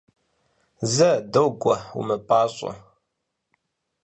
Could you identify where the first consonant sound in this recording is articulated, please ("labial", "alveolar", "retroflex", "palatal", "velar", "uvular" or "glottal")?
alveolar